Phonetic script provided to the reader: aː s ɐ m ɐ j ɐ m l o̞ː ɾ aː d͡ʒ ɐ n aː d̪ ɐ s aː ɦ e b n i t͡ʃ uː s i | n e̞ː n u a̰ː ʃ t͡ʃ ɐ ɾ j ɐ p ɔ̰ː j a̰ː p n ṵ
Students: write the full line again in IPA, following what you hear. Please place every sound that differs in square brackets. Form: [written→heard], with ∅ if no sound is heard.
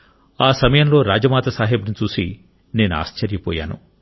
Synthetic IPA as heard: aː s ɐ m ɐ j ɐ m l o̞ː ɾ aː d͡ʒ ɐ [n→m] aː [d̪→t̪] ɐ s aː ɦ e b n i t͡ʃ uː s i | n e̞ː n u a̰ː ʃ t͡ʃ ɐ ɾ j ɐ p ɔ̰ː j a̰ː [p→∅] n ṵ